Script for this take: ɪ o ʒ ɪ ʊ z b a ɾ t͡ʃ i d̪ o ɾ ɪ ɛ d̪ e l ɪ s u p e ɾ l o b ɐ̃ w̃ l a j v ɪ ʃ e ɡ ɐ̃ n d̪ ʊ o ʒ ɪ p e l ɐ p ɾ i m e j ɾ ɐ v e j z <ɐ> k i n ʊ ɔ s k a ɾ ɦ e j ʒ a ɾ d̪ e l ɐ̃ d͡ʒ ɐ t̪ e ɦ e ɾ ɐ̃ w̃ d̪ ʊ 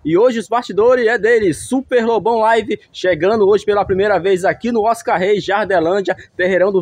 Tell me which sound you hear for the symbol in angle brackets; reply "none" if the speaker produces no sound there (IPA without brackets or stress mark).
a